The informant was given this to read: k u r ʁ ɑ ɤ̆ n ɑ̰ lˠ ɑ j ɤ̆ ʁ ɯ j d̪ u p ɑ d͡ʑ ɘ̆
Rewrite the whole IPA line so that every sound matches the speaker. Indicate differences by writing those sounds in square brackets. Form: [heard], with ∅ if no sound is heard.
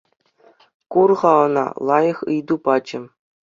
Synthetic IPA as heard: k u r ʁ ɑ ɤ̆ n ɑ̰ lˠ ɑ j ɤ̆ [χ] ɯ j d̪ u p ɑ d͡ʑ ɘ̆

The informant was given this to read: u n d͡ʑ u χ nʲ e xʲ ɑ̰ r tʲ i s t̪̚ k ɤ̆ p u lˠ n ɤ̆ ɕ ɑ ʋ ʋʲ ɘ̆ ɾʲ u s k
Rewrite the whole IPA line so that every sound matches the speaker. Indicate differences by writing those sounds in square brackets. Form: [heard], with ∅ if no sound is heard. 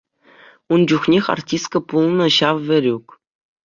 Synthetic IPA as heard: u n d͡ʑ u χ nʲ e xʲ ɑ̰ r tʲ i s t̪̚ k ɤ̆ p u lˠ n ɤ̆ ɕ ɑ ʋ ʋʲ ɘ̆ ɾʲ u [∅] k

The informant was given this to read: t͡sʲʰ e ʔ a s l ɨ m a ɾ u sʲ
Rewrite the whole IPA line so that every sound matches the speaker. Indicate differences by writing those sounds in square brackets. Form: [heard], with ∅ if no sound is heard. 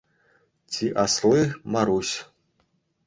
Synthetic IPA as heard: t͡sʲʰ [i] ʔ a s l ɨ m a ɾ u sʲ

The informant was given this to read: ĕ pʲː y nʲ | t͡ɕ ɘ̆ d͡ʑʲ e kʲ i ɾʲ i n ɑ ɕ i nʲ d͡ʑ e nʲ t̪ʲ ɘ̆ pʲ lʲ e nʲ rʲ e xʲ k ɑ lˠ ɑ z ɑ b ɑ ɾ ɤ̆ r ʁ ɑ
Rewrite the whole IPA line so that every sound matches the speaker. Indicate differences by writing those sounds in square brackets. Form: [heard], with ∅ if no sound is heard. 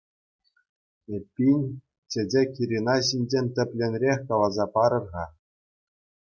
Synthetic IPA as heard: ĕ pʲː [i] nʲ | t͡ɕ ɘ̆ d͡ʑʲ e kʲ i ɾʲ i n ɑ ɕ i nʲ d͡ʑ e nʲ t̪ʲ ɘ̆ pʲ lʲ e nʲ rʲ e xʲ k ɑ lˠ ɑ z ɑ [p] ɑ ɾ ɤ̆ r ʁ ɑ

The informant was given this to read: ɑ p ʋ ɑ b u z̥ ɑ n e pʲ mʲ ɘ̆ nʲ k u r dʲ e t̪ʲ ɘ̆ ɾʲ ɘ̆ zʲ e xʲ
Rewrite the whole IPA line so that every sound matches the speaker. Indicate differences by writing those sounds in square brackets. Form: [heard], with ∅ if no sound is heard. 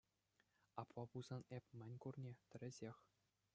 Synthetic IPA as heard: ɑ p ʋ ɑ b u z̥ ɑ n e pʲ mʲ ɘ̆ nʲ k u r [nʲ] e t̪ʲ ɘ̆ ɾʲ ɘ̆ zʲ e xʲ

